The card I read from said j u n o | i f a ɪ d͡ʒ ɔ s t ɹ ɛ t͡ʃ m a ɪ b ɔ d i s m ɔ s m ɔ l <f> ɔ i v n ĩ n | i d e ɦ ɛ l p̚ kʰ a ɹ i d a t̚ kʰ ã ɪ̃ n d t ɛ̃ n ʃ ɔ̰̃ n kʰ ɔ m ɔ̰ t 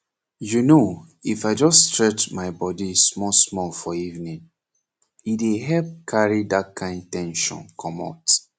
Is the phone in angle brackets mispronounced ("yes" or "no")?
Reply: no